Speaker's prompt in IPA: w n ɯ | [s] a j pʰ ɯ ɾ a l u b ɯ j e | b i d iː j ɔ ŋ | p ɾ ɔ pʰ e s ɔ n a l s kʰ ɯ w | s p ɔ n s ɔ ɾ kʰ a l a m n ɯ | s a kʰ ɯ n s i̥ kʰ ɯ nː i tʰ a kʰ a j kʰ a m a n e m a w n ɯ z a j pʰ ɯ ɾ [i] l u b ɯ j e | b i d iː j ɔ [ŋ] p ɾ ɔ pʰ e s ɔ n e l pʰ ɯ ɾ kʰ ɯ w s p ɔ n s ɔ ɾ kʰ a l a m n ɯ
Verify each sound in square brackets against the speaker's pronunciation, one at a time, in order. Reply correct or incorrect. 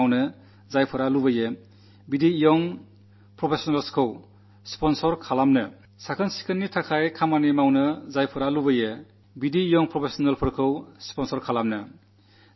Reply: incorrect, incorrect, correct

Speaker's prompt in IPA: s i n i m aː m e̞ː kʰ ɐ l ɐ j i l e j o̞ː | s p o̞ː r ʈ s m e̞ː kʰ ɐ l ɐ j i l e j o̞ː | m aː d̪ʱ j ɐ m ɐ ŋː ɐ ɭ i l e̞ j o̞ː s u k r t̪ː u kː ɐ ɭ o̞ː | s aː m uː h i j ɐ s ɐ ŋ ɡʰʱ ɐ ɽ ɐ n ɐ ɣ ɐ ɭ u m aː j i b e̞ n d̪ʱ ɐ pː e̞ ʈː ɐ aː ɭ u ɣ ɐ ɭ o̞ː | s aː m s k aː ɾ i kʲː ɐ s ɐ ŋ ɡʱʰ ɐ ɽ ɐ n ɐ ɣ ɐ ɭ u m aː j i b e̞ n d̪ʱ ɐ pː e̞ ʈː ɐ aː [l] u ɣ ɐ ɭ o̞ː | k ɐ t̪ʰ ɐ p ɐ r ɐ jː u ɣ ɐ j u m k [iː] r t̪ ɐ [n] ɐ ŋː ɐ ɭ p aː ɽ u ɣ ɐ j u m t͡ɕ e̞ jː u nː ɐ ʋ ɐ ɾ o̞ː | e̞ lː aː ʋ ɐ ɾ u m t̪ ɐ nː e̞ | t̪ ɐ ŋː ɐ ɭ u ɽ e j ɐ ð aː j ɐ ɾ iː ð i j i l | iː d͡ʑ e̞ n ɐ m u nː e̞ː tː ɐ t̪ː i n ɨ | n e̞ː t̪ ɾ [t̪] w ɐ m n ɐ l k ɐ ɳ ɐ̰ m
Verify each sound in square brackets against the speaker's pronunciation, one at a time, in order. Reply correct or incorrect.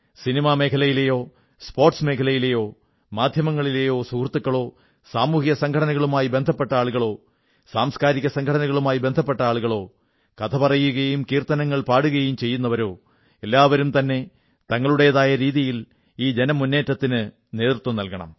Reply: incorrect, correct, correct, correct

